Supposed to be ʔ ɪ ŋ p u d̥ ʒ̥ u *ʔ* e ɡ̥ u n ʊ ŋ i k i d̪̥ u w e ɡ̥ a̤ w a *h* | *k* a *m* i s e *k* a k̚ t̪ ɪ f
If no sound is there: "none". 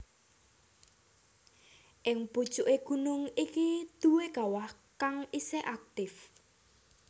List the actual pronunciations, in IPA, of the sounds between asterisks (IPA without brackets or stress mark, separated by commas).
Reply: ʔ, h, k, ŋ, ʔ